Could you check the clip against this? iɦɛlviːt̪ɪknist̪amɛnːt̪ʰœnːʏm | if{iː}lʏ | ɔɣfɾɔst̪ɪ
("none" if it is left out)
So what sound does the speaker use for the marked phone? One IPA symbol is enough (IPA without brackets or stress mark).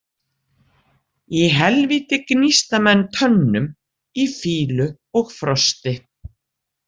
iː